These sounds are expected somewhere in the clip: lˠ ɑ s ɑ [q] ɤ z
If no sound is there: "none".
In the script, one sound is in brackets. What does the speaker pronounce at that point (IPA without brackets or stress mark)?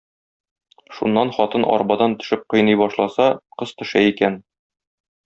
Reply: q